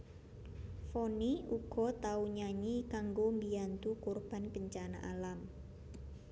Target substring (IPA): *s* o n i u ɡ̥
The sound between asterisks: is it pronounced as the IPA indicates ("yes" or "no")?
no